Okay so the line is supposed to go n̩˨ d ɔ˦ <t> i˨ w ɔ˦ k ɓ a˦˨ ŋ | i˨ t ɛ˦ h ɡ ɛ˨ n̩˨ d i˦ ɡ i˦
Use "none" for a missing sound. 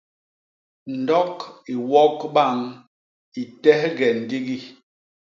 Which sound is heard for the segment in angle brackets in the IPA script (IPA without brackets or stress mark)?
k